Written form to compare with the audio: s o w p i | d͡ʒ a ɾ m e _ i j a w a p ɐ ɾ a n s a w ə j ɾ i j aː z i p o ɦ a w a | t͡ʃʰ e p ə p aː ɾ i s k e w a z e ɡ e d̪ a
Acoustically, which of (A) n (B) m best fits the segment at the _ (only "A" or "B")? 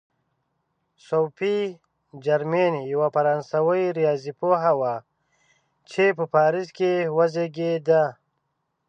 A